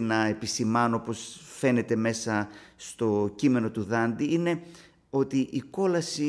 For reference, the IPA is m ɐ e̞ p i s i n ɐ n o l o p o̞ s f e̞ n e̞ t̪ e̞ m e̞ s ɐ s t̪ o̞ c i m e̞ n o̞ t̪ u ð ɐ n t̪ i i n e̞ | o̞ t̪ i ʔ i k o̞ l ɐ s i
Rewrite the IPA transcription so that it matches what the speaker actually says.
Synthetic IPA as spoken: n ɐ e̞ p i s i m ɐ n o o p o̞ s f e̞ n e̞ t̪ e̞ m e̞ s ɐ s t̪ o̞ c i m e̞ n o̞ t̪ u ð ɐ n d̪ i i n e̞ | o̞ t̪ i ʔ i k o̞ l ɐ s i